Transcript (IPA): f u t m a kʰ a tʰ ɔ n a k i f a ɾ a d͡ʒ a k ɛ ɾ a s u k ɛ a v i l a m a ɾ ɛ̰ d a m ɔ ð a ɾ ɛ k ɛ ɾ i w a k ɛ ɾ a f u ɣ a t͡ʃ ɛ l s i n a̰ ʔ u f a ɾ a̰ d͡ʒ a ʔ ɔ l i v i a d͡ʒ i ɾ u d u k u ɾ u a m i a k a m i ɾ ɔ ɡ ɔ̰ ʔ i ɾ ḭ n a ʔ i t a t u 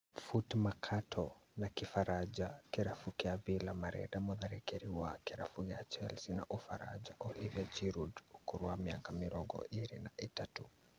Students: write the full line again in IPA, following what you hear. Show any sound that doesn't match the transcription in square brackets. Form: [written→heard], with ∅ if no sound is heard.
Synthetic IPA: f u t m a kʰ a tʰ ɔ n a k i f a ɾ a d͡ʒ a k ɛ ɾ a [s→f] u k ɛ a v i l a m a ɾ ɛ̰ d a m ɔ ð a ɾ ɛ k ɛ ɾ i w a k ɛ ɾ a f u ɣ a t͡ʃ ɛ l s i n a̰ ʔ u f a ɾ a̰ d͡ʒ a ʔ ɔ l i v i a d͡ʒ i ɾ u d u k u ɾ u a m i a k a m i ɾ ɔ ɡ ɔ̰ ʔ i ɾ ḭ n a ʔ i t a t u